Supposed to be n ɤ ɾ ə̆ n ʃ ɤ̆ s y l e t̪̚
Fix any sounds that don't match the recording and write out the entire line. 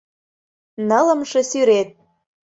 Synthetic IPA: n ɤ l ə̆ m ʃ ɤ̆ s y ɾ e t̪̚